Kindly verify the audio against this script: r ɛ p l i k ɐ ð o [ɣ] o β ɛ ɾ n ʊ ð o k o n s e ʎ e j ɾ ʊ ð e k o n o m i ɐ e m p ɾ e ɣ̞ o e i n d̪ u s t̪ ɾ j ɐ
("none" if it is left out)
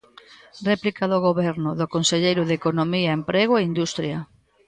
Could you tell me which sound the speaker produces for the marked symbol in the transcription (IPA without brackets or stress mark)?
ɣ